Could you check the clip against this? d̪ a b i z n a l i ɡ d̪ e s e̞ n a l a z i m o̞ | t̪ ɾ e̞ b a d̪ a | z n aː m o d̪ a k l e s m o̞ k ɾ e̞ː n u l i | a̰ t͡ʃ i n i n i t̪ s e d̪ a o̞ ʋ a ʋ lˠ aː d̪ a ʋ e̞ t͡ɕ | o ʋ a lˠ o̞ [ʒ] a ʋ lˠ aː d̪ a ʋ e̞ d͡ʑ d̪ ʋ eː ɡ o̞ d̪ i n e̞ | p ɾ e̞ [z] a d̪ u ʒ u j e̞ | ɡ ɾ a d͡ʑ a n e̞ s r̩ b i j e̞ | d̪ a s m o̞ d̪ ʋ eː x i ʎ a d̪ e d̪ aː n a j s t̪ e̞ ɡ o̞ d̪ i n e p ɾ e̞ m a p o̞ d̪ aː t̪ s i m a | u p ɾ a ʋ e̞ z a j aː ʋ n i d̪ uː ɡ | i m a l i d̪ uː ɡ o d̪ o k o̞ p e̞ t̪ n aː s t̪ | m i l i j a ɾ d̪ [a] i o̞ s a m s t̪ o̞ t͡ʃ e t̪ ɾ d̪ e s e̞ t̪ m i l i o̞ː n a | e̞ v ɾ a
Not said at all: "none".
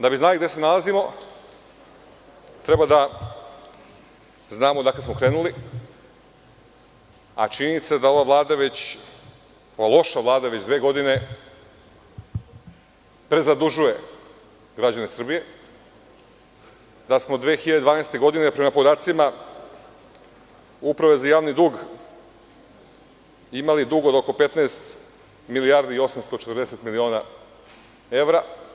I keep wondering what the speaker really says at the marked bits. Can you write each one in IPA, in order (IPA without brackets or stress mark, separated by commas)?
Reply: ʃ, z, i